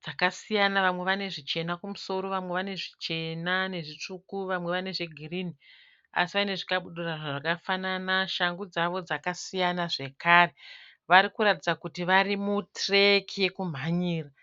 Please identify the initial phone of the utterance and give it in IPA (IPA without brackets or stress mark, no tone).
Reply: d͡z